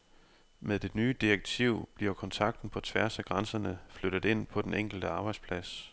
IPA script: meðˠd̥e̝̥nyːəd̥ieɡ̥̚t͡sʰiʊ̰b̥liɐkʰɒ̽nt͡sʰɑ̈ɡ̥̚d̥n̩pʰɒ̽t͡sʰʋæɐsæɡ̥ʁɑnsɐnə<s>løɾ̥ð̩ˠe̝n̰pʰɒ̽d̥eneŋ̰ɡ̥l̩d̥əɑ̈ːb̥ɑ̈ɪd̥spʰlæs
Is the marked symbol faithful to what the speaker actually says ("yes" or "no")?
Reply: no